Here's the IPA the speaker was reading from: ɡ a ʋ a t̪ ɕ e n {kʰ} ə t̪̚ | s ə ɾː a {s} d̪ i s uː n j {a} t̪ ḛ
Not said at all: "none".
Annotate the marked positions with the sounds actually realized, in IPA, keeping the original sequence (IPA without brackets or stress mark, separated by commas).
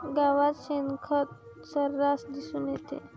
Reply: kʰ, s, e